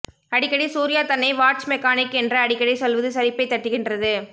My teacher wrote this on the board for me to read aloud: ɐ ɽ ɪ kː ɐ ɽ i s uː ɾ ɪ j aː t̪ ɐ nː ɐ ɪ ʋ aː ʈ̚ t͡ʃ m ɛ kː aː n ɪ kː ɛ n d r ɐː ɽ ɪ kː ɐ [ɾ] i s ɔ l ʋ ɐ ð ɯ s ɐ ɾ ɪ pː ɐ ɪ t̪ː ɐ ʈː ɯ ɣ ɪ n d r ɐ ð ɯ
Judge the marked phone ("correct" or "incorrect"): incorrect